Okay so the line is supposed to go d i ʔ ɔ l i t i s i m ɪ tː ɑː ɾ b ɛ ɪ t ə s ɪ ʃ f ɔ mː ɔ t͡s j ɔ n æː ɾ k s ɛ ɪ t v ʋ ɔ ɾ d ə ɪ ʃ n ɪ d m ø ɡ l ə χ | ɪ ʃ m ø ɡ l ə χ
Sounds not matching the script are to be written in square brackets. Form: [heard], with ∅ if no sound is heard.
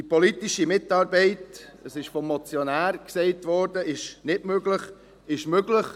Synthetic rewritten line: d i [p] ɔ l i t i [ʃ] i m ɪ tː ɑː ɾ b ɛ ɪ t ə s ɪ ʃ f ɔ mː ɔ t͡s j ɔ n æː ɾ k s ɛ ɪ t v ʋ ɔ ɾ d ə ɪ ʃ n ɪ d m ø ɡ l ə χ | ɪ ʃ m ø ɡ l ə χ